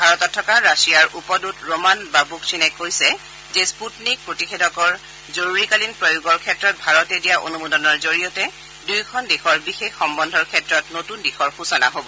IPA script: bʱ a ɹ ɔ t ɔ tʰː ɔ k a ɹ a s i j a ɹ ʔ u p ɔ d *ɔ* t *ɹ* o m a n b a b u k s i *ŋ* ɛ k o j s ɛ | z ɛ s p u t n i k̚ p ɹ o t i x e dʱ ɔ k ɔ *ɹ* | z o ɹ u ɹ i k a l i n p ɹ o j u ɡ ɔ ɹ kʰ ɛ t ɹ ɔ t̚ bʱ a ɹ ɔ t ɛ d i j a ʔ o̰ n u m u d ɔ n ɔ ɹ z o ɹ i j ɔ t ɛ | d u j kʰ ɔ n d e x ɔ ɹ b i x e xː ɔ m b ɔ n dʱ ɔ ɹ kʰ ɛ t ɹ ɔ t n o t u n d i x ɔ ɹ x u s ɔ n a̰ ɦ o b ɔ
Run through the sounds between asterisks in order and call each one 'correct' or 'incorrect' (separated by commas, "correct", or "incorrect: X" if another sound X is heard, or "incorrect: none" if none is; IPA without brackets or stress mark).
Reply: incorrect: u, correct, incorrect: n, correct